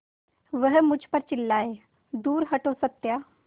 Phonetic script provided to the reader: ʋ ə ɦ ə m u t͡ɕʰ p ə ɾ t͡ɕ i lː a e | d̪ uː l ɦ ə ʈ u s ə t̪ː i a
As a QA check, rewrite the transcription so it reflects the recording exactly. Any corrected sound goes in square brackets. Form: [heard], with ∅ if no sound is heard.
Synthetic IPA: ʋ ə ɦ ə m u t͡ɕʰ p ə ɾ t͡ɕ i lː a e | d̪ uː [ɾ] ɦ ə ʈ [o] s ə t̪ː [j] a